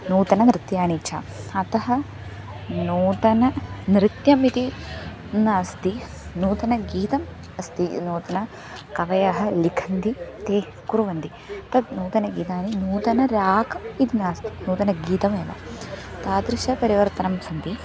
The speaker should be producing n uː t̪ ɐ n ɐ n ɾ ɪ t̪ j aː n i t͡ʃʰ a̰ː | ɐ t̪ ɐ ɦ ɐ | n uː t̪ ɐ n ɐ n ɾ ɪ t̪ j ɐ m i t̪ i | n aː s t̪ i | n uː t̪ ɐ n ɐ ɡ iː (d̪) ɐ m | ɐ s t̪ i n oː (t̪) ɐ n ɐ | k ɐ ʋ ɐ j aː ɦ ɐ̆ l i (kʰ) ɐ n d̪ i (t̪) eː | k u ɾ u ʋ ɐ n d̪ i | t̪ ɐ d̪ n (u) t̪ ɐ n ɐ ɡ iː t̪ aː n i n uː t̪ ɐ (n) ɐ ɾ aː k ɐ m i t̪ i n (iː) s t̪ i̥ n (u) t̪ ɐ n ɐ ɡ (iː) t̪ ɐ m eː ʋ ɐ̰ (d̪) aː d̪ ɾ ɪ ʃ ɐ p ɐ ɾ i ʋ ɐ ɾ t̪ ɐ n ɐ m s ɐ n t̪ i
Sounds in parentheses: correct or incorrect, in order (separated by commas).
incorrect, correct, correct, correct, incorrect, correct, incorrect, incorrect, correct, incorrect